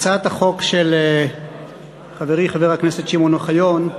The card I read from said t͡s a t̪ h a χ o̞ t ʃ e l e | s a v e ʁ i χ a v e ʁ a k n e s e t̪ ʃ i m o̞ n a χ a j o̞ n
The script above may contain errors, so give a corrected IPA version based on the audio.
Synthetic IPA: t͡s a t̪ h a χ o̞ k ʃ e l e | χ a v e ʁ i χ a v e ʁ a k n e s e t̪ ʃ i m o̞ n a χ a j o̞ n